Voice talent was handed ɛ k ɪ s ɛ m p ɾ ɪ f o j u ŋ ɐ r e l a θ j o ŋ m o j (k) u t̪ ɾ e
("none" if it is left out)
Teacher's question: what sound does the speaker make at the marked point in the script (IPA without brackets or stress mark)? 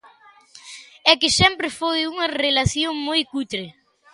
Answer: k